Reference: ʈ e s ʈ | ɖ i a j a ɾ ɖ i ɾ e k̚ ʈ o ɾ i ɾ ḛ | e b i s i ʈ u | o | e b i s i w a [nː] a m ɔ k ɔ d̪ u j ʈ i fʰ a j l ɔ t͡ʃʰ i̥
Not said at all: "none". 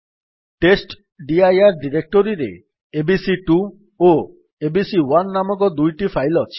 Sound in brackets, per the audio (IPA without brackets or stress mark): nː